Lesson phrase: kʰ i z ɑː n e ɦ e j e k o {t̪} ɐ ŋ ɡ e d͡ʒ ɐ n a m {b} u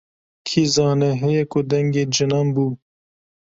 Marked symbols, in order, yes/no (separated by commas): no, yes